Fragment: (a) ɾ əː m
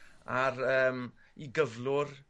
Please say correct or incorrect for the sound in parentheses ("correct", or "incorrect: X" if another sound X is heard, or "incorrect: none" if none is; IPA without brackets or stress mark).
correct